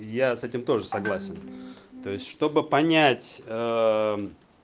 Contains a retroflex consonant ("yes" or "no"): yes